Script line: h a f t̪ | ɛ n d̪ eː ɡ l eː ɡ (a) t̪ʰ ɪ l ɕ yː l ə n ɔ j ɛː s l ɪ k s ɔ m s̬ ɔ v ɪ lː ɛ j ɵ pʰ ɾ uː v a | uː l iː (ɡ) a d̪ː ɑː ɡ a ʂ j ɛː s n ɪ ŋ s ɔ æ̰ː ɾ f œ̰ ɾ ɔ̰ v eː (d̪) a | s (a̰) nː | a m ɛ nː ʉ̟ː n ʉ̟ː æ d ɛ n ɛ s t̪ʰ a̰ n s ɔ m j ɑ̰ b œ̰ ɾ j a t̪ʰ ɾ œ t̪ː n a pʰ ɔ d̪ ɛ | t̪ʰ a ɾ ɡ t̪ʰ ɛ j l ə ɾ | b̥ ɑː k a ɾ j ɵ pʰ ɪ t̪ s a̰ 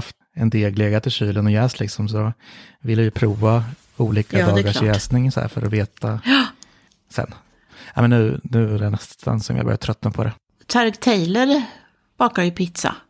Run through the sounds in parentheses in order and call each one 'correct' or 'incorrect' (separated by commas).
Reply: correct, incorrect, incorrect, incorrect